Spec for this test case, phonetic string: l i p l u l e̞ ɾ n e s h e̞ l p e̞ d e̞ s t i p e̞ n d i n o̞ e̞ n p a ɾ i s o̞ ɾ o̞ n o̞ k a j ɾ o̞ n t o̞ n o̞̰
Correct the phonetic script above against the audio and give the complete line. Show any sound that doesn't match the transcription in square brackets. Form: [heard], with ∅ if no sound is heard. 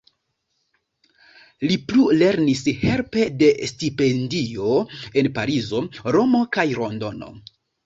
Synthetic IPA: l i p l u l e̞ ɾ n [i] s h e̞ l p e̞ d e̞ s t i p e̞ n d i [∅] o̞ e̞ n p a ɾ i [z] o̞ ɾ o̞ [m] o̞ k a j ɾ o̞ n [d] o̞ n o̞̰

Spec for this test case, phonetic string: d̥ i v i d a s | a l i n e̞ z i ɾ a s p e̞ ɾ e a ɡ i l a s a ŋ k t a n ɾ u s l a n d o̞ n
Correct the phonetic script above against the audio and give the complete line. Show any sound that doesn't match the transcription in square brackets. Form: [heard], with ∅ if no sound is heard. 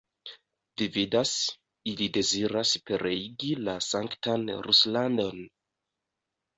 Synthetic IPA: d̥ i v i d a s | [i] l i [d] e̞ z i ɾ a s p e̞ ɾ e [i] ɡ i l a s a ŋ k t a n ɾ u s l a n d o̞ n

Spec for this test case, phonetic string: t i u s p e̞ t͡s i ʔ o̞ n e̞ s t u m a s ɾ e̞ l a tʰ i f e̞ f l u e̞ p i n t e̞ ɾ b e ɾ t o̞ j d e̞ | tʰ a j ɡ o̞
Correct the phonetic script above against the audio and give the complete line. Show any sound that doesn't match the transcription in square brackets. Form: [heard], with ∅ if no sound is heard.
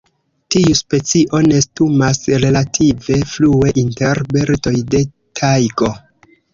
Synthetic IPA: t i u s p e̞ t͡s i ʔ o̞ n e̞ s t u m a s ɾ e̞ l a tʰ i [v] e̞ f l u e̞ [ʔ] i n t e̞ ɾ b e ɾ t o̞ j d e̞ | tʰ a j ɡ o̞

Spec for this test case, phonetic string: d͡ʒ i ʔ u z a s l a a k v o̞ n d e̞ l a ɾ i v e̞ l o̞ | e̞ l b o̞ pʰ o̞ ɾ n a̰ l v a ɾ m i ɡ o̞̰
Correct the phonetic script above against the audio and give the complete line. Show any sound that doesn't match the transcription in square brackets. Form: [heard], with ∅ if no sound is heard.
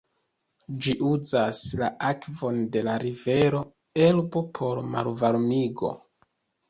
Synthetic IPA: d͡ʒ i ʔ u z a s l a a k v o̞ n d e̞ l a ɾ i v e̞ [ɾ] o̞ | e̞ l b o̞ pʰ o̞ ɾ [m] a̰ l v a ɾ m i ɡ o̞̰

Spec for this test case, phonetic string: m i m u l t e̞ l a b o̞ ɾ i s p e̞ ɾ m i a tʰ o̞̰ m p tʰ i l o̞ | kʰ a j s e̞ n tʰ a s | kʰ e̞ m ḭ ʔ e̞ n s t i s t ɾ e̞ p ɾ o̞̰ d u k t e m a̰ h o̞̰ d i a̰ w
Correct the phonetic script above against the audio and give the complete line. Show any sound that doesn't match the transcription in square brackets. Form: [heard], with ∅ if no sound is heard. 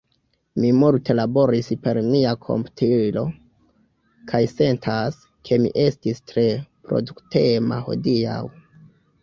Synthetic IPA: m i m u l t e̞ l a b o̞ ɾ i s p e̞ ɾ m i a [kʰ] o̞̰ m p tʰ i l o̞ | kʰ a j s e̞ n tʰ a s | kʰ e̞ m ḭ ʔ e̞ [∅] s t i s t ɾ e̞ p ɾ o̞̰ d u k t e m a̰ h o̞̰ d i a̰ w

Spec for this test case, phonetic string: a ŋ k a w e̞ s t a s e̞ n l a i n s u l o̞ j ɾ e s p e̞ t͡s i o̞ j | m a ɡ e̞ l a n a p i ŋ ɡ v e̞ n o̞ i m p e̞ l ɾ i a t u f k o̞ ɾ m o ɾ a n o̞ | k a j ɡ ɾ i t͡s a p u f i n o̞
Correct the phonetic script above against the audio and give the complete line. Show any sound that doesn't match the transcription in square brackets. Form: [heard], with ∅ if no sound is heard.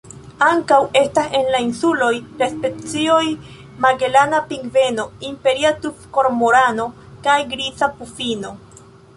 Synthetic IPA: a ŋ k a w e̞ s t a s e̞ n l a i n s u l o̞ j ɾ e s p e̞ t͡s i o̞ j | m a ɡ e̞ l a n a p i ŋ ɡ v e̞ n o̞ i m p e̞ [∅] ɾ i a t u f k o̞ ɾ m o ɾ a n o̞ | k a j ɡ ɾ i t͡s a p u f i n o̞

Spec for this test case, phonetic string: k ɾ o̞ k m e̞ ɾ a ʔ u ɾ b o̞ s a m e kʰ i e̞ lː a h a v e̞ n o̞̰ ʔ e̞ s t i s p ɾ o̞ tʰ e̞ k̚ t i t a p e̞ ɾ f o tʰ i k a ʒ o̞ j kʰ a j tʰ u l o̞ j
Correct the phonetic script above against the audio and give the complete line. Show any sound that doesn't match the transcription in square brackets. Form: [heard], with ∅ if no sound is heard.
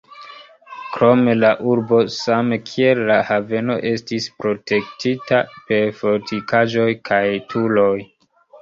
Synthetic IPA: k ɾ o̞ [∅] m e̞ [l] a ʔ u ɾ b o̞ s a m e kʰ i e̞ lː a h a v e̞ n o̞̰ ʔ e̞ s t i s p ɾ o̞ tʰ e̞ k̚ t i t a p e̞ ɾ f o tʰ i k a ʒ o̞ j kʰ a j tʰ u l o̞ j

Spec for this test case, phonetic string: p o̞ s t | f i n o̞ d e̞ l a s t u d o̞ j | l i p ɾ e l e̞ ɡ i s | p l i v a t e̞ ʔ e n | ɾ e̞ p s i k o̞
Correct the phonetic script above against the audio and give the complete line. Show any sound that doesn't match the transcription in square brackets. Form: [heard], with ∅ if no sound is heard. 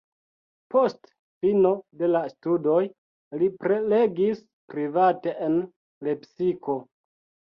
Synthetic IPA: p o̞ s t | f i n o̞ d e̞ l a s t u d o̞ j | l i p ɾ e l e̞ ɡ i s | p [ɾ] i v a t e̞ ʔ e n | [l] e̞ p s i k o̞

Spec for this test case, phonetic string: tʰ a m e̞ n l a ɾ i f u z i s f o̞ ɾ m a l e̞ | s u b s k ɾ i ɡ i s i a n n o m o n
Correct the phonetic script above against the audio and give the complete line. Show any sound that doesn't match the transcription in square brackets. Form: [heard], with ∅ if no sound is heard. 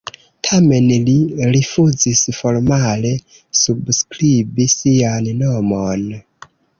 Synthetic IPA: tʰ a m e̞ n l [i] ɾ i f u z i s f o̞ ɾ m a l e̞ | s u b s k ɾ i [b] i s i a n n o m o n

